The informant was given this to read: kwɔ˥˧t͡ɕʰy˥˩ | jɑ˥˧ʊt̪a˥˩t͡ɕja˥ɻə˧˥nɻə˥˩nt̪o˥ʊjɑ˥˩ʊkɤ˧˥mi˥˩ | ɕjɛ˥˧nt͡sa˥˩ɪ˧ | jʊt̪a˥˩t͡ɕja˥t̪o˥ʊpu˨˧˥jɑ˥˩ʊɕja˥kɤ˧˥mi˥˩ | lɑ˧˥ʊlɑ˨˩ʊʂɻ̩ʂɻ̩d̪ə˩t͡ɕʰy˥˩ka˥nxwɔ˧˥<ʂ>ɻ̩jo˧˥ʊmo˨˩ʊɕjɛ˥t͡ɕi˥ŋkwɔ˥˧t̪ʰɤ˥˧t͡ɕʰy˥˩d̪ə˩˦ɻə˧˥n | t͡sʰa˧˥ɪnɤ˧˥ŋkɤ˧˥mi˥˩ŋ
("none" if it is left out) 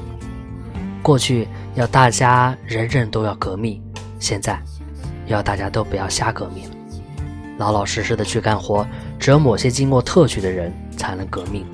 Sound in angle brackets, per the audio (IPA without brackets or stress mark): ʈ͡ʂ